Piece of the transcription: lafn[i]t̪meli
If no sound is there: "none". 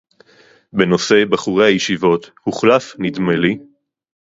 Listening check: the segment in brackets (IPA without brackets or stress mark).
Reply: i